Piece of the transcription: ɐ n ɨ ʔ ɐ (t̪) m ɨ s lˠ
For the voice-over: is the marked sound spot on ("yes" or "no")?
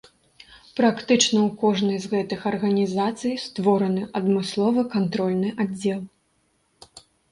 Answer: no